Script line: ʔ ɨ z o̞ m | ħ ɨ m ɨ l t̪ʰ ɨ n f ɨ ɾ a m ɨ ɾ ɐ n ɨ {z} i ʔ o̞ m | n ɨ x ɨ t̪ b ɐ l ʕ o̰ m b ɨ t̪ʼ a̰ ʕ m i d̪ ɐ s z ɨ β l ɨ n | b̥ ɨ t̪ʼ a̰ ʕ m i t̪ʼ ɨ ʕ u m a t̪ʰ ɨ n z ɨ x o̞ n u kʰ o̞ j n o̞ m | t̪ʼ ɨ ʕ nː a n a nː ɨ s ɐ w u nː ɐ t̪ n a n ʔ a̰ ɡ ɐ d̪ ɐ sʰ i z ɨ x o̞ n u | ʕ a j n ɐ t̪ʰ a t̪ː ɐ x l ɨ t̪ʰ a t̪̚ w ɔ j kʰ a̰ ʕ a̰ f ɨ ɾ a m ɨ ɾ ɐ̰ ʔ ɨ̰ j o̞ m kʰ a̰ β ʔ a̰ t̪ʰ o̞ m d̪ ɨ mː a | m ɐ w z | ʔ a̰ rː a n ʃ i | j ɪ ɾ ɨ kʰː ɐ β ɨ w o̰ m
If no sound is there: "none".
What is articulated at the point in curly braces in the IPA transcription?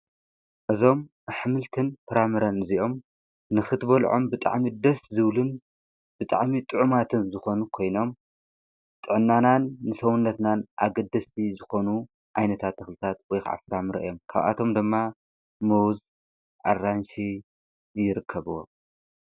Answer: z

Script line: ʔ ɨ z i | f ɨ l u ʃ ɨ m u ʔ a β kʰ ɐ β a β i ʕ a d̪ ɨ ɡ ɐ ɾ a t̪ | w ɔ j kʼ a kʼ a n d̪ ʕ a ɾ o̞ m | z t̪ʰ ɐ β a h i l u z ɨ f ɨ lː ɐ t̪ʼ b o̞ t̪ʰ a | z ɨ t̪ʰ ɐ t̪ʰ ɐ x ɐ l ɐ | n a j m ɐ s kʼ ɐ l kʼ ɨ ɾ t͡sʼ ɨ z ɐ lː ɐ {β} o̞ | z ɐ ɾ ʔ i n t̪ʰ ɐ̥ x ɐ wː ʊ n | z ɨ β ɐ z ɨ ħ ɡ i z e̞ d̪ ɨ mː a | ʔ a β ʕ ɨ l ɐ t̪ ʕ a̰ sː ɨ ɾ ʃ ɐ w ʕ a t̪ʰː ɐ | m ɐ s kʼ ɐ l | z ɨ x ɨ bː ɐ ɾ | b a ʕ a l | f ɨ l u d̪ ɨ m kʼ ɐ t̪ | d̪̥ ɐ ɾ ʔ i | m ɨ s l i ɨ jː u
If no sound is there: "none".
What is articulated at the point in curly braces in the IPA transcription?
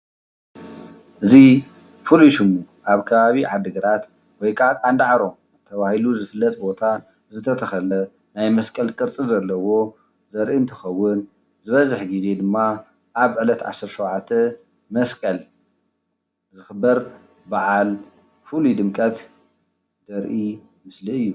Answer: w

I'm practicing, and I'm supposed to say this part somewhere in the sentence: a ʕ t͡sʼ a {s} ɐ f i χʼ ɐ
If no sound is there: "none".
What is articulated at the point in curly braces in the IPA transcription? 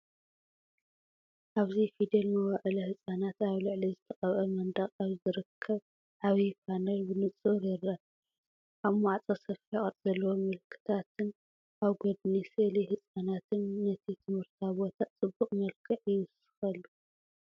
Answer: s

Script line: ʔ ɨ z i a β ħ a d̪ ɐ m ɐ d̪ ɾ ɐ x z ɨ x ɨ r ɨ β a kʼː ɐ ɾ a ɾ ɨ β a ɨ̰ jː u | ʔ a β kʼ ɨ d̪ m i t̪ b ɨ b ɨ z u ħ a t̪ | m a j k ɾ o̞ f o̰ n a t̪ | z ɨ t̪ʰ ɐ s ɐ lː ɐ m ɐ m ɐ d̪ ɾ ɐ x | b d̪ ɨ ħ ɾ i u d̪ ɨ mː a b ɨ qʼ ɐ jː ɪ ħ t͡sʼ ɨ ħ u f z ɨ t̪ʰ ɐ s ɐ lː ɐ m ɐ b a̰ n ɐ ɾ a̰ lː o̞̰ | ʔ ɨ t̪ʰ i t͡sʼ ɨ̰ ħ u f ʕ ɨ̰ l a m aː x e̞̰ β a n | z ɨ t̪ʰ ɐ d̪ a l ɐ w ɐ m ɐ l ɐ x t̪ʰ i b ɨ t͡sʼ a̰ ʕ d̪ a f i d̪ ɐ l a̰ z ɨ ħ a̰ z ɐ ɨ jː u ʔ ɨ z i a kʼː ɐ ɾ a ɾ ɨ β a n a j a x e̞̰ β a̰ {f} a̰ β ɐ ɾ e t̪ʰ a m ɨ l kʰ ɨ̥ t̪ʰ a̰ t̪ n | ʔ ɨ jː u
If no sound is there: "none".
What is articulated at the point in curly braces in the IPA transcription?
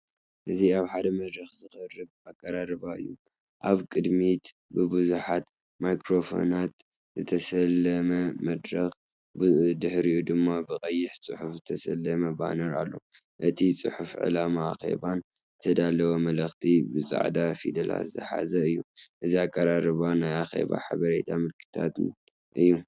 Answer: ħ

